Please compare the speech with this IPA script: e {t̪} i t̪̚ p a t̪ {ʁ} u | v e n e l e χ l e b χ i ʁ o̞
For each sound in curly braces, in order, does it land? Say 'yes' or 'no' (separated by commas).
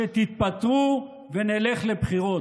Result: yes, yes